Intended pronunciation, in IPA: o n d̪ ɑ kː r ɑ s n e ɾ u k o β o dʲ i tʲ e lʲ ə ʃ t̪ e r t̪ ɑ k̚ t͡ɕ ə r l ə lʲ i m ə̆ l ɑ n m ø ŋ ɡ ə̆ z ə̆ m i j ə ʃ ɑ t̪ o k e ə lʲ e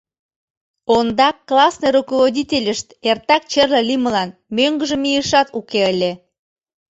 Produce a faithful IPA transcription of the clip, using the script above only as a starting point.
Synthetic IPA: o n d̪ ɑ kː l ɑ s n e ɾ u k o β o dʲ i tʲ e lʲ ə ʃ t̪ e r t̪ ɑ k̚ t͡ɕ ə r l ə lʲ i m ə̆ l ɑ n m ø ŋ ɡ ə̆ ʒ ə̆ m i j ə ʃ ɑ t̪ u k e ə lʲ e